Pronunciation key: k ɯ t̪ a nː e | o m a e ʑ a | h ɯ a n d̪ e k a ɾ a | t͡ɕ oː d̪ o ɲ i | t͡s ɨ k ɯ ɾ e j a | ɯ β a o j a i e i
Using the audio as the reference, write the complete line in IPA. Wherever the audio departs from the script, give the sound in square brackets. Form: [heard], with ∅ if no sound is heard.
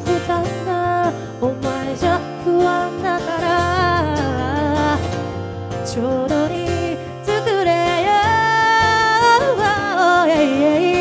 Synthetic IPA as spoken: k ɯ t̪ a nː [a] | o m a e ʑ a | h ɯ a n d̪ [a] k a ɾ a | t͡ɕ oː d̪ o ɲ i | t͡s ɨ k ɯ ɾ e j a | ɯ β a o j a i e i